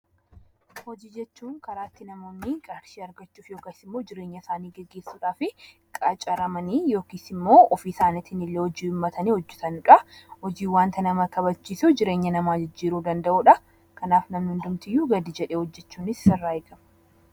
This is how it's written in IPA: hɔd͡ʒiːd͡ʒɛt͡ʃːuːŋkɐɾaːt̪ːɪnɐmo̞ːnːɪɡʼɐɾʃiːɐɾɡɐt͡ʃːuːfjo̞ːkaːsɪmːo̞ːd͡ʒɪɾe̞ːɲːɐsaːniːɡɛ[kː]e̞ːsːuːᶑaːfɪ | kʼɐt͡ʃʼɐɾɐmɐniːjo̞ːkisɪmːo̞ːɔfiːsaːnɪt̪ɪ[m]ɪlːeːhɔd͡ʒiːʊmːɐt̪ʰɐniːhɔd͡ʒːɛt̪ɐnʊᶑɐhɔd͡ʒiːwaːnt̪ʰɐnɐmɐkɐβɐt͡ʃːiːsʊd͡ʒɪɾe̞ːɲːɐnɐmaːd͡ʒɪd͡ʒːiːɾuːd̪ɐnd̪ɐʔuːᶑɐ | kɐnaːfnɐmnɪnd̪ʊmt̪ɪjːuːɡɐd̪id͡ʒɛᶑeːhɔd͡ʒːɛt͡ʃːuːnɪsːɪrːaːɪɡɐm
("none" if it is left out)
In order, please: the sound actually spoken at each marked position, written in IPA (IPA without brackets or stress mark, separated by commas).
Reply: ɡː, n